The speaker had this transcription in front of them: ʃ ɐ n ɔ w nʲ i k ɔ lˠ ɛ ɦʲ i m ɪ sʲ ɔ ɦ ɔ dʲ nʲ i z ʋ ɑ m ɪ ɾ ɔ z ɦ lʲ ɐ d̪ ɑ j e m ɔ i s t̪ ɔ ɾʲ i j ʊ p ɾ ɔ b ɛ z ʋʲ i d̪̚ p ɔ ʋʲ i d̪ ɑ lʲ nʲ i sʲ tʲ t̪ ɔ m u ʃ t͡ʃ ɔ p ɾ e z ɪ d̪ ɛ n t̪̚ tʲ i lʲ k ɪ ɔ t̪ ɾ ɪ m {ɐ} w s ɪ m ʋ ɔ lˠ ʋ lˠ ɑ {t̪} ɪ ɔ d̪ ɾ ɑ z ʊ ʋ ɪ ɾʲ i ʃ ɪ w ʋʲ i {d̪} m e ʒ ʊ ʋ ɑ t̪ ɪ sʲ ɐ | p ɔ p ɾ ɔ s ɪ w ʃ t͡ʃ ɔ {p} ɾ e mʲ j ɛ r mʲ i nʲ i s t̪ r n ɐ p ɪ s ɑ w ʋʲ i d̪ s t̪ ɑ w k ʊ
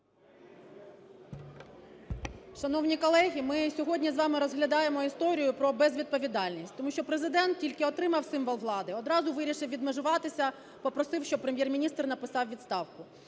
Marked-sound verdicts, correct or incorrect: correct, incorrect, correct, correct

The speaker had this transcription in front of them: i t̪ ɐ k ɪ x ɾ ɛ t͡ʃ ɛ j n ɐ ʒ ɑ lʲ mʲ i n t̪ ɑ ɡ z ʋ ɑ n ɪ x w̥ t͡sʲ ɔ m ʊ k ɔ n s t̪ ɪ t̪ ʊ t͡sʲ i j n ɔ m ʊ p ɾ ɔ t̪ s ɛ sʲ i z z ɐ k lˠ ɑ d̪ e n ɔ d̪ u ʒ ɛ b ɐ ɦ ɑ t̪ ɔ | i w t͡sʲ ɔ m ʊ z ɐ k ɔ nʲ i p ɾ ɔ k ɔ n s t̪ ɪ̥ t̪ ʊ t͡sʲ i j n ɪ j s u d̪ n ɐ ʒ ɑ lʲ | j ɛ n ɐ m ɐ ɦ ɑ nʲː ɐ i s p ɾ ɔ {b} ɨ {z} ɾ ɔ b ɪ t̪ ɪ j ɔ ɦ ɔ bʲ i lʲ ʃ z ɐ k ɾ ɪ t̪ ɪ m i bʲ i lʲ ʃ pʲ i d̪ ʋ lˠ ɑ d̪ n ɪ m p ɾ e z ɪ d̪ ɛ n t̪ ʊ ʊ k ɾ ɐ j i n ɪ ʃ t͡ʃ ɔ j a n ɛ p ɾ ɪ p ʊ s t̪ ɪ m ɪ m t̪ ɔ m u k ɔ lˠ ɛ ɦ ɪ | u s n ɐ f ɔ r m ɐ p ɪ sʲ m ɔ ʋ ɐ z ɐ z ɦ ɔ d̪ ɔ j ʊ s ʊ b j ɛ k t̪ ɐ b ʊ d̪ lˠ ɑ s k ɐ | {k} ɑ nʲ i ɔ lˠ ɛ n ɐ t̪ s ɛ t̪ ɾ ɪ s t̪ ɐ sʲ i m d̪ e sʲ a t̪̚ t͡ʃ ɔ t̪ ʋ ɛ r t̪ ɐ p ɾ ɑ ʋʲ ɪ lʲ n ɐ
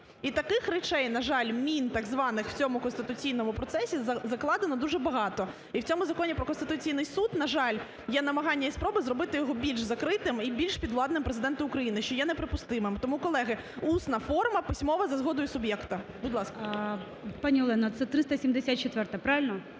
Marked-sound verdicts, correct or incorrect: correct, correct, incorrect

